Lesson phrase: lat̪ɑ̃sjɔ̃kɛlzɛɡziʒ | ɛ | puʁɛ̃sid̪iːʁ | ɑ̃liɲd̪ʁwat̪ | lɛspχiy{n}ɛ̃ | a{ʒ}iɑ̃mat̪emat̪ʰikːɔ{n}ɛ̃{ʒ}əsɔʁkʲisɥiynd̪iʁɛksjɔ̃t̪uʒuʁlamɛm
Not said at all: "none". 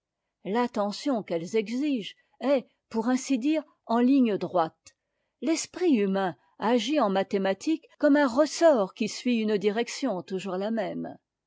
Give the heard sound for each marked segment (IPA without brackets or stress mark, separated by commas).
m, ʒ, m, ʁ